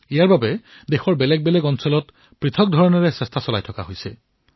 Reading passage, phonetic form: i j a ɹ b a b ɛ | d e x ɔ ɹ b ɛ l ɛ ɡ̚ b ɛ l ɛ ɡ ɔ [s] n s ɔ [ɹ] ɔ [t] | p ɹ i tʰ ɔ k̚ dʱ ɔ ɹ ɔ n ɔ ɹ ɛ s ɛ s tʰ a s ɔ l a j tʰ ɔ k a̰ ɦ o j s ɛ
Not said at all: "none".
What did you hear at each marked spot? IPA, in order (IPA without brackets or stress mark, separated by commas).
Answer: none, l, t